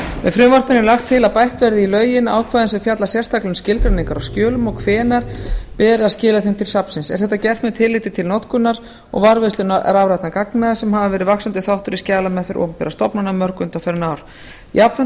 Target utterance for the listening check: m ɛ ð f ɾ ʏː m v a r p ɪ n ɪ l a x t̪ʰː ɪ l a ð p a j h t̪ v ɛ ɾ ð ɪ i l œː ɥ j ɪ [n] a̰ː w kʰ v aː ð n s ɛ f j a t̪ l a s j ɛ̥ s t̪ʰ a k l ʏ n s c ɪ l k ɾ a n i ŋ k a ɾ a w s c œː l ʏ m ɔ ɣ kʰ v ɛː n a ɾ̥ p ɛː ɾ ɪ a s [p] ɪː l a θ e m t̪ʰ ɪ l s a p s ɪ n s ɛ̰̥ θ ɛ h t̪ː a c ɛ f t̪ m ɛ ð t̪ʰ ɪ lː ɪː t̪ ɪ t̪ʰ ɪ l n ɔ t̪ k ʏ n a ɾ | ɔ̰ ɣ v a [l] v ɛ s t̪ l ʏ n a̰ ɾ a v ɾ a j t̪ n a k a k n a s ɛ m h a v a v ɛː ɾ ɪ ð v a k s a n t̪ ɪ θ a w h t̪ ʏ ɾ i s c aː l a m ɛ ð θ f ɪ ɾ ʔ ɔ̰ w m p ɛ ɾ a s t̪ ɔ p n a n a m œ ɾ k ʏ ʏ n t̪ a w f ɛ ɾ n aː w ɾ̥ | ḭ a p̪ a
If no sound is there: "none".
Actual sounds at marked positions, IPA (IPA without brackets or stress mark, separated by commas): n, c, ɾ